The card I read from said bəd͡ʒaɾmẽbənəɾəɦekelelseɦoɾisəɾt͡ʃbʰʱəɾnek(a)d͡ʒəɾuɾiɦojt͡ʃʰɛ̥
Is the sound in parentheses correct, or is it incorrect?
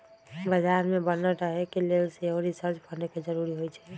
incorrect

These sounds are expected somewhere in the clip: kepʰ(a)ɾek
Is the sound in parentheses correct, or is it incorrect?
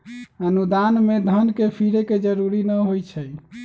incorrect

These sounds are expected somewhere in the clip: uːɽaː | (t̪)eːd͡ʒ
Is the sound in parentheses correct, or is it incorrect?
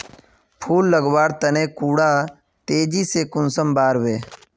correct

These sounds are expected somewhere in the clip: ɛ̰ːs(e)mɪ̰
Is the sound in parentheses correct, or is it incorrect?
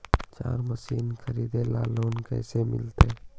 correct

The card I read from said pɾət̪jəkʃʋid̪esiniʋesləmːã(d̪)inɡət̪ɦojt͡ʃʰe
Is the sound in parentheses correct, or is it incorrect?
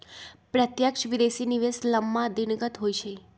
correct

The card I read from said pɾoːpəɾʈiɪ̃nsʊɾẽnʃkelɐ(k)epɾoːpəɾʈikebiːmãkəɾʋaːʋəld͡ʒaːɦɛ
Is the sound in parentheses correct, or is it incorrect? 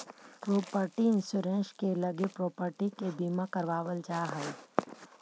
incorrect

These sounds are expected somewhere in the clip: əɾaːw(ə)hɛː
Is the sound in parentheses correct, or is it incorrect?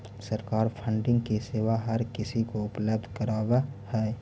incorrect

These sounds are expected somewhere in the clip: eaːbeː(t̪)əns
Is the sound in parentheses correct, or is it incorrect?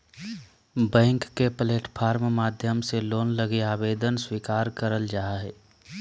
incorrect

